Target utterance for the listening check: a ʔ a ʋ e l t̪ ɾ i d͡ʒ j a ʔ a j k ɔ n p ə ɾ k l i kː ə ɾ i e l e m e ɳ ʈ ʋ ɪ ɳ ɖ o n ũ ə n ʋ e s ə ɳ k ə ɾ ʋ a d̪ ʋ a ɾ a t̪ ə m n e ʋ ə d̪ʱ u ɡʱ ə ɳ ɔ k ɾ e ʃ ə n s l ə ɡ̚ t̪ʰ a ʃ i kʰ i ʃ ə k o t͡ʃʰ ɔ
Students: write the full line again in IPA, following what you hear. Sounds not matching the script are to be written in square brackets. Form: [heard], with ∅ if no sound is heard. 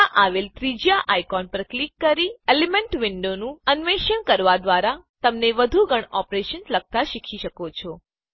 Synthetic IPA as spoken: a ʔ a ʋ e l t̪ ɾ i d͡ʒ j a ʔ a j k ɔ n p ə ɾ k l i kː ə ɾ i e l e m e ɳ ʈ ʋ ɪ ɳ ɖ o n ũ ə n ʋ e [ʃ] ə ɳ k ə ɾ ʋ a d̪ ʋ a ɾ a t̪ ə m n e ʋ ə d̪ʱ u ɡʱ ə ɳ ɔ [p] ɾ e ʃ ə n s l ə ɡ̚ [t̪] a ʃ i kʰ i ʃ ə k o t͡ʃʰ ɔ